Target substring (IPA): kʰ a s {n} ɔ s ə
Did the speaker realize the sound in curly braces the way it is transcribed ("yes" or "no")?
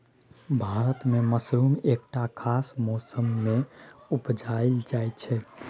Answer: no